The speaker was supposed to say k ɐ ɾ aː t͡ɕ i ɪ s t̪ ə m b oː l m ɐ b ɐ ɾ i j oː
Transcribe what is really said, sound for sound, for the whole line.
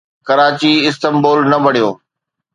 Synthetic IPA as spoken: k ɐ ɾ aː t͡ɕ i ɪ s t̪ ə m b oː l n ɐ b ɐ ɽ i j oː